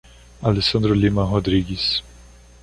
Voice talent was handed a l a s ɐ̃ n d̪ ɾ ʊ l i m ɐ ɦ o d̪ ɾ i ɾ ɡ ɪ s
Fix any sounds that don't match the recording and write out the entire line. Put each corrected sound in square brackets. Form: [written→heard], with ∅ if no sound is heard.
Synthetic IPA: a l [a→e] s ɐ̃ n d̪ ɾ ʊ l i m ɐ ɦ o d̪ ɾ i [ɾ→∅] ɡ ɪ s

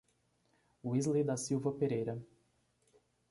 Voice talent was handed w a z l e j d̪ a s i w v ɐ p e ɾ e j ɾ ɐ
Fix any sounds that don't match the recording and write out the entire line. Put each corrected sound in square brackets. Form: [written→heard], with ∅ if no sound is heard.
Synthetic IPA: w [a→i] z l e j d̪ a s i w v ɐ p e ɾ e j ɾ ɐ

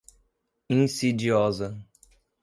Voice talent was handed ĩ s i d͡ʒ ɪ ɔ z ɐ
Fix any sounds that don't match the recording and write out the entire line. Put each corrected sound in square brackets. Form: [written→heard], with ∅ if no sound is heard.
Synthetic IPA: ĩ s i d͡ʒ [ɪ→i] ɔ z ɐ

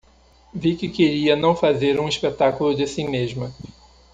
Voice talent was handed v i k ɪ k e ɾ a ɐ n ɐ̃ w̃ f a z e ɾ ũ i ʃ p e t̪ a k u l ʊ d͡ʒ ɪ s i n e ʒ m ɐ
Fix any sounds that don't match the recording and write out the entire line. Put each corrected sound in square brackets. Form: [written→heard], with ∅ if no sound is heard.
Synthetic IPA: v i k ɪ k e ɾ [a→i] ɐ n ɐ̃ w̃ f a z e ɾ ũ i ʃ p e t̪ a k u l ʊ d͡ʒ ɪ s i [n→m] e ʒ m ɐ

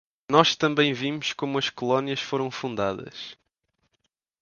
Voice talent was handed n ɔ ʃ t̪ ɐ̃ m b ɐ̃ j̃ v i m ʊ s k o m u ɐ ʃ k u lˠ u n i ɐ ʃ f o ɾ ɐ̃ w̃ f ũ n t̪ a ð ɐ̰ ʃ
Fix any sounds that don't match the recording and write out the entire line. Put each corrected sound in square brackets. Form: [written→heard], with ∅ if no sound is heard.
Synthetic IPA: n ɔ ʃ t̪ ɐ̃ m b ɐ̃ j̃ v i m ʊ [s→ʃ] k o m u ɐ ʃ k u lˠ [u→ɔ] n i ɐ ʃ f o ɾ ɐ̃ w̃ f ũ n [t̪→d̪] a ð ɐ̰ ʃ

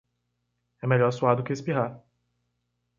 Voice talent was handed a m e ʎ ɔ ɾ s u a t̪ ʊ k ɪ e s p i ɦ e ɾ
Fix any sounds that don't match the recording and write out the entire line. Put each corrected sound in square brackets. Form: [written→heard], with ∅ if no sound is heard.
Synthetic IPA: [a→ɛ] m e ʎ ɔ ɾ s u a [t̪→d̪] ʊ k ɪ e s p i ɦ [e→a] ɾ

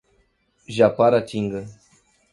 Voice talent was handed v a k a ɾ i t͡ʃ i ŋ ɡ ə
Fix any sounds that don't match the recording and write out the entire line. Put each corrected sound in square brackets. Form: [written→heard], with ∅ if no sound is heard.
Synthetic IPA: [v→ʒ] a [k→p] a ɾ [i→a] t͡ʃ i ŋ ɡ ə

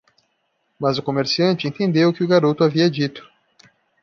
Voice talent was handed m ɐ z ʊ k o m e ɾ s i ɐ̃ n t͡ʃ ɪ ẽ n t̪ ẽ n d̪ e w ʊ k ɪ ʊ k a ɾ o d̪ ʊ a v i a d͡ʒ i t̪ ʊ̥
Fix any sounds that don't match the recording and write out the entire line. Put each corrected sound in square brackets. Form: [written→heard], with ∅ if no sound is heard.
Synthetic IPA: m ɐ z ʊ k o m e ɾ s i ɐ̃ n t͡ʃ ɪ ẽ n t̪ ẽ n d̪ e w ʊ k ɪ ʊ [k→ɡ] a ɾ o [d̪→t̪] ʊ a v i [a→ɐ] d͡ʒ i t̪ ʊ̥

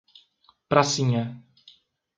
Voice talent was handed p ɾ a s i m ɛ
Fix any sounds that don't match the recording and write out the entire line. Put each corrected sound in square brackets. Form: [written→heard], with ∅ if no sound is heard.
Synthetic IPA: p ɾ a s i [m→ɲ] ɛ

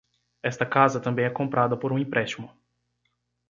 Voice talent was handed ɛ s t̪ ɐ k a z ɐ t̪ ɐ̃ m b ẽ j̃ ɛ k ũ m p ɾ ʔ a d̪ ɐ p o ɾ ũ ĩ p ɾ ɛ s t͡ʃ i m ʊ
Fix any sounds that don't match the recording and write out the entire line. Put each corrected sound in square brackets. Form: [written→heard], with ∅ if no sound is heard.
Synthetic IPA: ɛ s t̪ ɐ k a z ɐ t̪ ɐ̃ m b ẽ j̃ ɛ k [ũ→õ] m p ɾ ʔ a d̪ ɐ p o ɾ ũ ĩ p ɾ ɛ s t͡ʃ i m ʊ

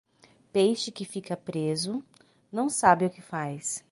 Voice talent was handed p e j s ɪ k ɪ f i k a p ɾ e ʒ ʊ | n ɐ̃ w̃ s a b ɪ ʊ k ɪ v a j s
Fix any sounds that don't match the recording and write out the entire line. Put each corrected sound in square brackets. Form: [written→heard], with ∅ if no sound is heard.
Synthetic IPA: p e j [s→ʃ] ɪ k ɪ f i k [a→ɐ] p ɾ e [ʒ→z] ʊ | n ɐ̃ w̃ s a b ɪ ʊ k ɪ [v→f] a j s

